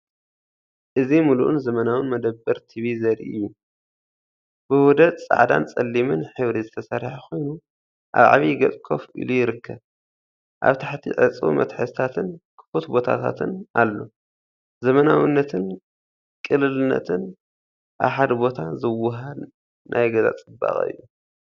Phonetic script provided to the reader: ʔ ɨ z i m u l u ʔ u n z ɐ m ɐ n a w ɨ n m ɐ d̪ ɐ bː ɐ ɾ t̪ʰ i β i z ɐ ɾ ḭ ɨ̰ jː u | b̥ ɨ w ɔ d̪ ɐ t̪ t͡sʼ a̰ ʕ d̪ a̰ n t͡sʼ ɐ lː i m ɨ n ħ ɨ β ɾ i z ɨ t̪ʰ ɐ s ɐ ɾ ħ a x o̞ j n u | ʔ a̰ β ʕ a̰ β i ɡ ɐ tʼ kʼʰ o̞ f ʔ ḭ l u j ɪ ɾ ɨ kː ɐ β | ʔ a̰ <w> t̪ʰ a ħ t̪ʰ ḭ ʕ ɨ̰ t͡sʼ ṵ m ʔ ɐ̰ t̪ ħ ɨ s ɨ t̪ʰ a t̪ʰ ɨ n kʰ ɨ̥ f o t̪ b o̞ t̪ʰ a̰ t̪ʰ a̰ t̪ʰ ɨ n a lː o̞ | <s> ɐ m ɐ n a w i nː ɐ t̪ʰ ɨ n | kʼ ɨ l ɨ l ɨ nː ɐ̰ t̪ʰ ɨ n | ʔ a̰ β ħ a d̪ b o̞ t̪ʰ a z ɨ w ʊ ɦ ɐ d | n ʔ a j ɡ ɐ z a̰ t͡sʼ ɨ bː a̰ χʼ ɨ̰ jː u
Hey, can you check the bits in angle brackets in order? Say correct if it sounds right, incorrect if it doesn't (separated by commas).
incorrect, incorrect